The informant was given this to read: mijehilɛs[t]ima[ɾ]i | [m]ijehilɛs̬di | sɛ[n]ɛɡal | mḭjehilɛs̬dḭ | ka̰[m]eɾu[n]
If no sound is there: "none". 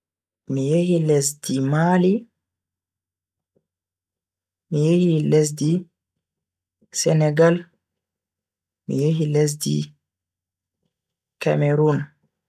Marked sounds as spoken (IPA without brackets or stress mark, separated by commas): d, l, m, n, m, n